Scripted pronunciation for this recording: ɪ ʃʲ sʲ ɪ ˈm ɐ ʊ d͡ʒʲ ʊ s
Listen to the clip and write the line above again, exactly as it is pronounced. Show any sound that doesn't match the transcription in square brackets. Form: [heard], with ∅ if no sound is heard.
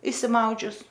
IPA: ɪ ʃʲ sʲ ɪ ˈm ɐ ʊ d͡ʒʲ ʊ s